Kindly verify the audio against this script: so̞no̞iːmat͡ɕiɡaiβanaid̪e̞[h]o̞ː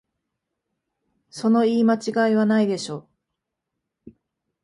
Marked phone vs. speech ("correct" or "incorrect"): incorrect